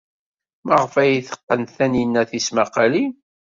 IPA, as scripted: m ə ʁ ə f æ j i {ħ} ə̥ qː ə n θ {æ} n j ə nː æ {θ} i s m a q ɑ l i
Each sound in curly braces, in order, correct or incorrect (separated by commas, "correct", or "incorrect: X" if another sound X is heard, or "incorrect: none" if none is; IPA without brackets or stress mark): incorrect: θ, correct, correct